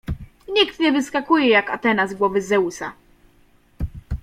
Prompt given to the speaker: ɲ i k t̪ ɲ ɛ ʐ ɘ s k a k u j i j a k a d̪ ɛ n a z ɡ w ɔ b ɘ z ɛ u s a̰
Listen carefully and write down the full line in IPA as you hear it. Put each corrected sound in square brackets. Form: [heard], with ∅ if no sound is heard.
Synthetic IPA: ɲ i k t̪ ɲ ɛ [v] ɘ s k a k u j [ɛ] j a k a [t̪] ɛ n a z ɡ w ɔ [v] ɘ z ɛ u s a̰

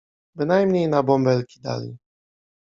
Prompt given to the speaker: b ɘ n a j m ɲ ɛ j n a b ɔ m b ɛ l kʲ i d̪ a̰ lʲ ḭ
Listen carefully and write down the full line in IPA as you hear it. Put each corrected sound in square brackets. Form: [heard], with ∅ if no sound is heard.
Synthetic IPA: b ɘ n a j m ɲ [e] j n a b ɔ m b ɛ l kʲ i d̪ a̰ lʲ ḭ

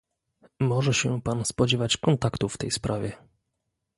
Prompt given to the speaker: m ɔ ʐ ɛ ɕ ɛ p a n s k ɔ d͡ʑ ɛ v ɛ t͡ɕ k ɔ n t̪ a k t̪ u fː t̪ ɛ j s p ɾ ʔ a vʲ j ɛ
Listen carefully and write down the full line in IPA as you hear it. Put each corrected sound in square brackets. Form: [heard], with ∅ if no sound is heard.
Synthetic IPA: m ɔ ʐ ɛ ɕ ɛ p a n s [p] ɔ d͡ʑ ɛ v [a] t͡ɕ k ɔ n t̪ a k t̪ u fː t̪ ɛ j s p ɾ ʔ a vʲ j ɛ

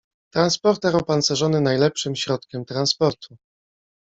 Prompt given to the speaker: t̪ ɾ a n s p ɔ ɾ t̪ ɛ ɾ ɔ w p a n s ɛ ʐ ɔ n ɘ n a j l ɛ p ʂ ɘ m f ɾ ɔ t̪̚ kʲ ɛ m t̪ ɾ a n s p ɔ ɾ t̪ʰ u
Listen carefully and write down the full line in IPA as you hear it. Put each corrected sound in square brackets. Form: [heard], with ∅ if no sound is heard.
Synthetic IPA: t̪ ɾ a n s p ɔ ɾ t̪ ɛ ɾ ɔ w p a n s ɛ ʐ ɔ n ɘ n a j l ɛ p ʂ ɘ m [ɕ] ɾ ɔ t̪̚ kʲ ɛ m t̪ ɾ a n s p ɔ ɾ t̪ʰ u

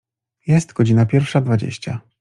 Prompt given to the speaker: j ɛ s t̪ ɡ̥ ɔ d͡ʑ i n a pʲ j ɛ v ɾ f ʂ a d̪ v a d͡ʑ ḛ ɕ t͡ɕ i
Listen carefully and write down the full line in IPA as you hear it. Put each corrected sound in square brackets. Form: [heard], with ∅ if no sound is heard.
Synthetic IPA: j ɛ s t̪ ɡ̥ ɔ d͡ʑ i n a pʲ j ɛ [∅] ɾ f ʂ a d̪ v a d͡ʑ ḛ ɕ t͡ɕ [a]

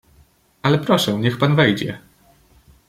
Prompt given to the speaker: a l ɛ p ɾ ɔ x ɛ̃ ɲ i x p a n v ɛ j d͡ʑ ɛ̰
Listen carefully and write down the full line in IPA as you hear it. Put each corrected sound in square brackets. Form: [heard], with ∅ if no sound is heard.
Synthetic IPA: a l ɛ p ɾ ɔ [ʂ] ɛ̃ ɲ [ɛ] x p a n v ɛ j d͡ʑ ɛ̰

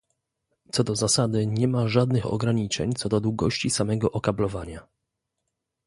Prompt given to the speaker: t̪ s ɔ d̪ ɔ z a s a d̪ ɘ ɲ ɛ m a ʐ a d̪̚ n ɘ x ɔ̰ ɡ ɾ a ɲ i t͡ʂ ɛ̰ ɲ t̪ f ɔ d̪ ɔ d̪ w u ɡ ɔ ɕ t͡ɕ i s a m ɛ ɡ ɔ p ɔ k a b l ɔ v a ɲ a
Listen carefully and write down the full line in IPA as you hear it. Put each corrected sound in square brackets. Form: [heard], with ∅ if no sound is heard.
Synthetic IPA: t̪ s ɔ d̪ ɔ z a s a d̪ ɘ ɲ ɛ m a ʐ a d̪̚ n ɘ x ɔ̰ ɡ ɾ a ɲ i t͡ʂ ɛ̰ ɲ t̪ [s] ɔ d̪ ɔ d̪ w u ɡ ɔ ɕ t͡ɕ i s a m ɛ ɡ ɔ [ʔ] ɔ k a b l ɔ v a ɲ a

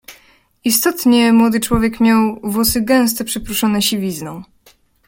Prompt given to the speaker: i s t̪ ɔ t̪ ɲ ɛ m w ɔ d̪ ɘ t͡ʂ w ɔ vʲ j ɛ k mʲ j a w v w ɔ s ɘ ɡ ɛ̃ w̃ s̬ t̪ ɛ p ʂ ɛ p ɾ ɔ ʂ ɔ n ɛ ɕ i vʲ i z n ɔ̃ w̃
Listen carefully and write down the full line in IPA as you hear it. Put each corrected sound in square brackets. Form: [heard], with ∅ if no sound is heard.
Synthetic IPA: i s t̪ ɔ t̪ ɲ ɛ m w ɔ d̪ ɘ t͡ʂ w ɔ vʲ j ɛ k mʲ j a w v w ɔ s ɘ ɡ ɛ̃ w̃ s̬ t̪ ɛ p ʂ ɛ p ɾ [u] ʂ ɔ n ɛ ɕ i vʲ i z n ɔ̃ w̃

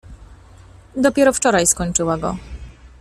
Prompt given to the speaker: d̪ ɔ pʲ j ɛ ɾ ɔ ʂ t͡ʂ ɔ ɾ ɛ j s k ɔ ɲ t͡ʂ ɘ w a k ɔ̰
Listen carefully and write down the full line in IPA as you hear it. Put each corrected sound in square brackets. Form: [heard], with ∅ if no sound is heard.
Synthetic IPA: d̪ ɔ pʲ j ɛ ɾ ɔ [f] t͡ʂ ɔ ɾ [a] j s k ɔ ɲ t͡ʂ ɘ w a [ɡ] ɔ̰

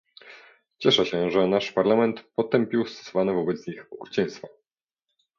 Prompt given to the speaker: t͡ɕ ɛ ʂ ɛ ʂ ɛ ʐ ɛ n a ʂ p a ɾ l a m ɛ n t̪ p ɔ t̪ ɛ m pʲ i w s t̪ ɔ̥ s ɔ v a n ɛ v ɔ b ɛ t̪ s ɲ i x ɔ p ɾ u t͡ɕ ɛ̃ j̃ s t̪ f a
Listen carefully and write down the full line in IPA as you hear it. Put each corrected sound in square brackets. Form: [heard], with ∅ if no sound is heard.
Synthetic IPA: t͡ɕ ɛ ʂ ɛ [ɕ] ɛ ʐ ɛ n a ʂ p a ɾ l a m ɛ n t̪ p ɔ t̪ ɛ m pʲ i w s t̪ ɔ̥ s ɔ v a n ɛ v ɔ b ɛ t̪ s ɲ i x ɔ [k] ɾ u t͡ɕ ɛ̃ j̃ s t̪ f a

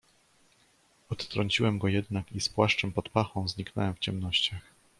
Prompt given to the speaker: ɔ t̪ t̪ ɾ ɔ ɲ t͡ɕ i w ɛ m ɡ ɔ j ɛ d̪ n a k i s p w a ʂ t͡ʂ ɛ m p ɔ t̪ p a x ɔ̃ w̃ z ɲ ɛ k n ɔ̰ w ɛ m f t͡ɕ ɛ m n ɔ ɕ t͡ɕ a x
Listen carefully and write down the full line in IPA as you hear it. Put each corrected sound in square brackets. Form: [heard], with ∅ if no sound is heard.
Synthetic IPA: ɔ t̪ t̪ ɾ ɔ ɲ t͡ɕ i w ɛ m ɡ ɔ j ɛ d̪ n a k i s p w a ʂ t͡ʂ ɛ m p ɔ t̪ p a x ɔ̃ w̃ z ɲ [i] k n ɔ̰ w ɛ m f t͡ɕ ɛ m n ɔ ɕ t͡ɕ a x

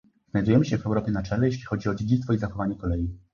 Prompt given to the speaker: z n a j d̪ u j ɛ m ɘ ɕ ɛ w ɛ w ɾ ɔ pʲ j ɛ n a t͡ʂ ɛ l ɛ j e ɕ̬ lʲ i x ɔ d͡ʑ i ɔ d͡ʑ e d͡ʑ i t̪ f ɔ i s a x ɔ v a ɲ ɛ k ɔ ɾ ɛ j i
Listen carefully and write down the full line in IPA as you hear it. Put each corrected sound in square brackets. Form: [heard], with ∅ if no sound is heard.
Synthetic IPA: z n a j d̪ u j ɛ m ɘ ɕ ɛ [v] ɛ w ɾ ɔ pʲ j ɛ n a t͡ʂ ɛ l ɛ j e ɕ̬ lʲ i x ɔ d͡ʑ i ɔ d͡ʑ e d͡ʑ i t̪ f ɔ i [z] a x ɔ v a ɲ ɛ k ɔ [l] ɛ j i

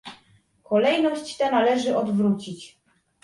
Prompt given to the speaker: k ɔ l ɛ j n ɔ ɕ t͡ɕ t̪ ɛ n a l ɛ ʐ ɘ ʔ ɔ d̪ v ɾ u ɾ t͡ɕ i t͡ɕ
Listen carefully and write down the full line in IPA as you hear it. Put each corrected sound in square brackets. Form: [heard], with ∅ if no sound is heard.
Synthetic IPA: k ɔ l ɛ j n ɔ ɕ t͡ɕ t̪ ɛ n a l ɛ ʐ ɘ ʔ ɔ d̪ v ɾ u [∅] t͡ɕ i t͡ɕ

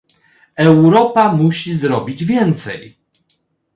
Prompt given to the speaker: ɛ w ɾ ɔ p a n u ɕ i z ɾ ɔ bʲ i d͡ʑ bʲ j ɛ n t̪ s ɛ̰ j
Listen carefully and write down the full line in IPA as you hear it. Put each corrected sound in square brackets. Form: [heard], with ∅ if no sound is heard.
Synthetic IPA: ɛ w ɾ ɔ p a [m] u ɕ i z ɾ ɔ bʲ i d͡ʑ [vʲ] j ɛ n t̪ s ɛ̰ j

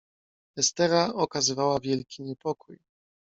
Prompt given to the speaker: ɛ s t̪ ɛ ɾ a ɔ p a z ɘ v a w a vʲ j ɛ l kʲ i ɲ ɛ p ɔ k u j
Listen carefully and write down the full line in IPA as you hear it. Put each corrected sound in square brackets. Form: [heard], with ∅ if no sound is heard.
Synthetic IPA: ɛ s t̪ ɛ ɾ a ɔ [k] a z ɘ v a w a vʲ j ɛ l kʲ i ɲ ɛ p ɔ k u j

